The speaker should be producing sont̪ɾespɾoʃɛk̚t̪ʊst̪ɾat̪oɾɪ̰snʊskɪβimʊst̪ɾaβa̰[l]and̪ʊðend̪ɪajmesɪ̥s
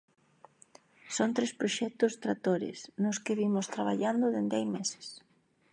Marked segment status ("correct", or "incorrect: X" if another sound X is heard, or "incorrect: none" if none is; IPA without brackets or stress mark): incorrect: ʎ